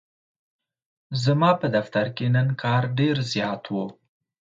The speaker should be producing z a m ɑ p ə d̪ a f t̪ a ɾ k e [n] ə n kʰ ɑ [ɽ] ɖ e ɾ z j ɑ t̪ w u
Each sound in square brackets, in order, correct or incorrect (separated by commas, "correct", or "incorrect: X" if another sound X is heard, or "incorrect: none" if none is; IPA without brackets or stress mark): correct, incorrect: ɾ